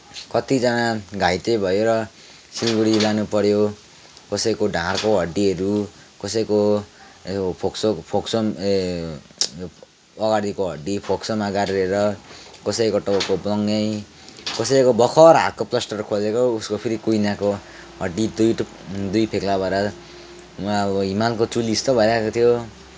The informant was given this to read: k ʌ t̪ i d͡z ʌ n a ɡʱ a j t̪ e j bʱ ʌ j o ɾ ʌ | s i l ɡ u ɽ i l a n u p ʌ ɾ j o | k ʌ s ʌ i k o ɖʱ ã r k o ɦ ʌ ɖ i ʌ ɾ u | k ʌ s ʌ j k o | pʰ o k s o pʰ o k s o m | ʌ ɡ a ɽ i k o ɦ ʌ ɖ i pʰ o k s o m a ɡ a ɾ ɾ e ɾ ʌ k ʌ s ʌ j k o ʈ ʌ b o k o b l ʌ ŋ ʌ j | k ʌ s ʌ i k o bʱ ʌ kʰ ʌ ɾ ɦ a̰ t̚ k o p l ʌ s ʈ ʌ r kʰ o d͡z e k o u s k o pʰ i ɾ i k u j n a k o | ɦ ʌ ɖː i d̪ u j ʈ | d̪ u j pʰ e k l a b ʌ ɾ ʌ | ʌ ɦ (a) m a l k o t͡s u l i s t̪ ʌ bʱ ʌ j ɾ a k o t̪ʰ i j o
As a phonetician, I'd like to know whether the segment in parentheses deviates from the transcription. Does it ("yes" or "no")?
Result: yes